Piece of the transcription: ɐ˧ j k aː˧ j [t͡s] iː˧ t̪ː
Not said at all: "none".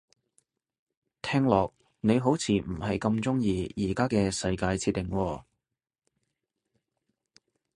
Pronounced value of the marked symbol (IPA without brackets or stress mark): t͡sʰ